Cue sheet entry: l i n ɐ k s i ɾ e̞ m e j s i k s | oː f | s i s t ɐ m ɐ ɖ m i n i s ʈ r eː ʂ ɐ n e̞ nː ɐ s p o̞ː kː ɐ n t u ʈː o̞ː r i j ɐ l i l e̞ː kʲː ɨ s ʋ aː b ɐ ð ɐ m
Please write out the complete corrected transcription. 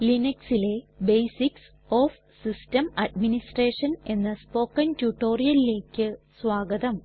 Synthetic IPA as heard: l i n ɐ k s i l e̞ b e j s i k s | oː f | s i s t ɐ m ɐ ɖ m i n i s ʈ r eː ʂ ɐ n e̞ nː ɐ s p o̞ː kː ɐ n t u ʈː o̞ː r i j ɐ l i l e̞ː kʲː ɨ s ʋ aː ɡ ɐ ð ɐ m

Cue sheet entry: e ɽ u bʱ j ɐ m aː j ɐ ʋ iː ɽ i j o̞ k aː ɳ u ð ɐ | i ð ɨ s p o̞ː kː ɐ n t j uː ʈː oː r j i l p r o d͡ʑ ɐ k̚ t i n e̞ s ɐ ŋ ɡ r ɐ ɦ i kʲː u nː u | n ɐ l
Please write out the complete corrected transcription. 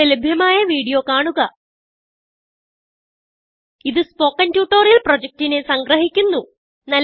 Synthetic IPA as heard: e l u bʱ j ɐ m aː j ɐ ʋ iː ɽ i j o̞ k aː ɳ u ɣ ɐ | i ð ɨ s p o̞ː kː ɐ n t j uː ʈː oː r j i l p r o d͡ʑ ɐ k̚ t i n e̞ s ɐ ŋ ɡ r ɐ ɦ i kʲː u nː u | n ɐ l

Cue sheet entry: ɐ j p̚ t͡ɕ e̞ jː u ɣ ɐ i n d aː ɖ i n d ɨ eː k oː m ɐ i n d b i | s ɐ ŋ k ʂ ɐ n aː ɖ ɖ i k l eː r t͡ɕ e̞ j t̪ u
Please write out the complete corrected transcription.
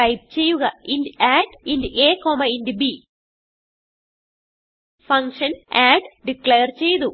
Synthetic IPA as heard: ɐ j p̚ t͡ɕ e̞ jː u ɣ ɐ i n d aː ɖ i n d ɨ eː k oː m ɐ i n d b i | f ɐ ŋ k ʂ ɐ n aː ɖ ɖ i k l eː r t͡ɕ e̞ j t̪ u

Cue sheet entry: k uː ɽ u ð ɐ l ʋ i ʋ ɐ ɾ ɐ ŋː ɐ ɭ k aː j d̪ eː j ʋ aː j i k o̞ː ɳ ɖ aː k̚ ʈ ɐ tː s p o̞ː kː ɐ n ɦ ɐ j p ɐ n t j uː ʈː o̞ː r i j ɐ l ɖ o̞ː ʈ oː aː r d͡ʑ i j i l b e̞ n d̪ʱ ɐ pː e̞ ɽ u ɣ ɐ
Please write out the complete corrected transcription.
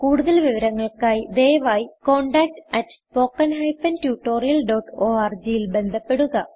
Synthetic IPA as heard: k uː ɽ u ð ɐ l ʋ i ʋ ɐ ɾ ɐ ŋː ɐ ɭ k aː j d̪ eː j ʋ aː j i k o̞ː ɳ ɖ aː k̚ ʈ ɐ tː s p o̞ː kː ɐ n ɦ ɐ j p ɐ n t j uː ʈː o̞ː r i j ɐ l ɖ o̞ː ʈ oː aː r d͡ʑ i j i l b e̞ n d̪ʱ ɐ pː e̞ ɽ u ɣ ɐ

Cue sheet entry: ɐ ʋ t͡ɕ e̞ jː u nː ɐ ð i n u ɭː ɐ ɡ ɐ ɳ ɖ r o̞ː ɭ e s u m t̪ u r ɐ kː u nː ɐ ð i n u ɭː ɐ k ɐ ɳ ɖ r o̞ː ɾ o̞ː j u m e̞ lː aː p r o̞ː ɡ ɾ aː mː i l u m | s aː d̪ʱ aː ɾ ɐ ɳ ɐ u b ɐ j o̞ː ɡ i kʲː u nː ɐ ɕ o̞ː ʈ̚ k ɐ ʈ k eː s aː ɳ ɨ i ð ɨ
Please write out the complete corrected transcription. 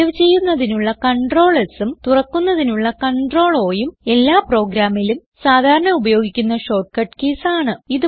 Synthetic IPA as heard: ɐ ʋ t͡ɕ e̞ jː u nː ɐ ð i n u ɭː ɐ k ɐ ɳ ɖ r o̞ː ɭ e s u m t̪ u r ɐ kː u nː ɐ ð i n u ɭː ɐ k ɐ ɳ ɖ r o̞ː ɭ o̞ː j u m e̞ lː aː p r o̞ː ɡ ɾ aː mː i l u m | s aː d̪ʱ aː ɾ ɐ ɳ ɐ u b ɐ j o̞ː ɡ i kʲː u nː ɐ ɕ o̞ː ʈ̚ k ɐ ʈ k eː s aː ɳ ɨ i ð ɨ

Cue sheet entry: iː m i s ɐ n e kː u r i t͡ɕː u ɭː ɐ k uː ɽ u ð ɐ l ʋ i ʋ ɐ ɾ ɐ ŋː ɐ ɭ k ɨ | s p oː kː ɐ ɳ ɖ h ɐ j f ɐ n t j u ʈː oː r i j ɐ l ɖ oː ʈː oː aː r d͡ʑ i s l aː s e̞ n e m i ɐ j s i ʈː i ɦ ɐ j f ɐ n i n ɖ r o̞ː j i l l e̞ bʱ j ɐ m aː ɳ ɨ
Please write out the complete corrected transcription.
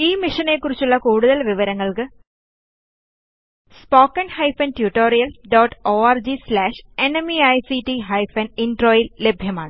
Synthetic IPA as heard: iː m i ʂ ɐ n e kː u r i t͡ɕː u ɭː ɐ k uː ɽ u ð ɐ l ʋ i ʋ ɐ ɾ ɐ ŋː ɐ ɭ k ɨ | s p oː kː ɐ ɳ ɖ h ɐ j f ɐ n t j u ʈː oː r i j ɐ l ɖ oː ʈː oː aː r d͡ʑ i s l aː ʂ e̞ n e m i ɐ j s i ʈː i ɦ ɐ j f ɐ n i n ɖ r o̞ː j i l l e̞ bʱ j ɐ m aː ɳ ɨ

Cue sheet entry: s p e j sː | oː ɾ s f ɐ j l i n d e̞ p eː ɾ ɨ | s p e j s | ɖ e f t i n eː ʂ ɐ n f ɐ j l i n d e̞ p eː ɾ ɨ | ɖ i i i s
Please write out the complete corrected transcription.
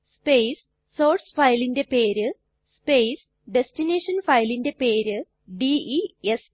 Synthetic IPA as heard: s p e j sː | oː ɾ s f ɐ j l i n d e̞ p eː ɾ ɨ | s p e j s | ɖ e s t i n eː ʂ ɐ n f ɐ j l i n d e̞ p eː ɾ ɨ | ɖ i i e s

